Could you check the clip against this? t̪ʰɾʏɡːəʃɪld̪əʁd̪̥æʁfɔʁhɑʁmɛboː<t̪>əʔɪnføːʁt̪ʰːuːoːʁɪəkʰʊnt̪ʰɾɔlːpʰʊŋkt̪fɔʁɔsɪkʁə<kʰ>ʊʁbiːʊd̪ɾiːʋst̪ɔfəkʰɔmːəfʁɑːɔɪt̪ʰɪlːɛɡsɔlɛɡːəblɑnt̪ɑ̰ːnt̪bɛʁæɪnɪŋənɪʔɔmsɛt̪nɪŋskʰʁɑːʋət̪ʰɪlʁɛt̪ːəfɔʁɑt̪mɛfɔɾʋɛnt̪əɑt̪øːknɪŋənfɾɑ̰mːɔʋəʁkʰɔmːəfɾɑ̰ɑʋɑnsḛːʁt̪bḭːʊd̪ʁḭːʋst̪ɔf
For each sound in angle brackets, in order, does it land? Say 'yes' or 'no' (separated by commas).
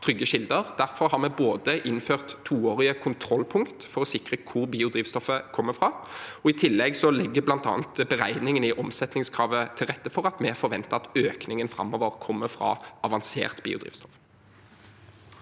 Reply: no, yes